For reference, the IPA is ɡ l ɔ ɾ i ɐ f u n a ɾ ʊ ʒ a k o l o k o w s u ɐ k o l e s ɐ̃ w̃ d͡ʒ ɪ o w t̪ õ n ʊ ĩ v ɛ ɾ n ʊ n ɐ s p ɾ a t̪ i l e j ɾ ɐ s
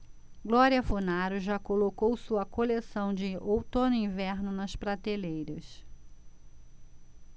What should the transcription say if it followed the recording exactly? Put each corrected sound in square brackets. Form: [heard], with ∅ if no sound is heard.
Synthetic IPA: ɡ l ɔ ɾ i ɐ f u n a ɾ ʊ ʒ a k o l o k o w s u ɐ k o l e s ɐ̃ w̃ d͡ʒ ɪ o w t̪ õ n ʊ ĩ v ɛ ɾ n ʊ n ɐ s p ɾ a t̪ [e] l e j ɾ ɐ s